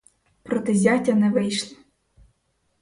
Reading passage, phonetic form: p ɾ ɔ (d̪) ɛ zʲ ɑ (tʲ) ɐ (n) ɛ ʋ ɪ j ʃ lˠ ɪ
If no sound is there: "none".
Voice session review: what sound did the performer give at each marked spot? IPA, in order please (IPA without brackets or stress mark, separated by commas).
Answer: t̪, tʲ, n